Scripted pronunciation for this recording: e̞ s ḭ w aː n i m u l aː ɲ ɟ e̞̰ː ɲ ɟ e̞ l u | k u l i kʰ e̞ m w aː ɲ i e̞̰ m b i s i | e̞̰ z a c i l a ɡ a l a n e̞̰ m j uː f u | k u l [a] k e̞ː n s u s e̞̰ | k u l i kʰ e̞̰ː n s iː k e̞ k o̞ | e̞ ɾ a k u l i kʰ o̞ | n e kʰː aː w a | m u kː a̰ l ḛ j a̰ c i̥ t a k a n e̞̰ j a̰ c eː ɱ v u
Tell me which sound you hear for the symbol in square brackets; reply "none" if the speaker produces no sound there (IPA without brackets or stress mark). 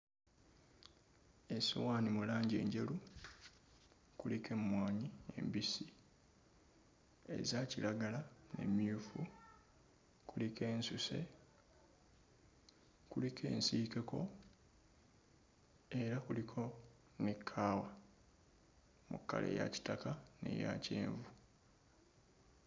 i